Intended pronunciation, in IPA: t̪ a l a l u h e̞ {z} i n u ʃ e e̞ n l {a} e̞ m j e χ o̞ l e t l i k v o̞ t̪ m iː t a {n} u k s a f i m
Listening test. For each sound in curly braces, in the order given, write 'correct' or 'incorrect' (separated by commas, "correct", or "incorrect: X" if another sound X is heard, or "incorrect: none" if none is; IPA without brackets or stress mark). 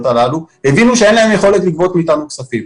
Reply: incorrect: v, correct, correct